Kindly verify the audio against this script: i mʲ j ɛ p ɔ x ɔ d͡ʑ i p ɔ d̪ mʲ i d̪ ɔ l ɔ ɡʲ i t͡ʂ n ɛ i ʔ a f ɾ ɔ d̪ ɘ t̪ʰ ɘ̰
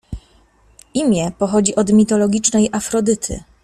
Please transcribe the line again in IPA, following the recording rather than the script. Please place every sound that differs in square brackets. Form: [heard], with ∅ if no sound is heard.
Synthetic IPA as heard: i mʲ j ɛ p ɔ x ɔ d͡ʑ i [ʔ] ɔ d̪ mʲ i [t̪] ɔ l ɔ ɡʲ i t͡ʂ n ɛ [j] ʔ a f ɾ ɔ d̪ ɘ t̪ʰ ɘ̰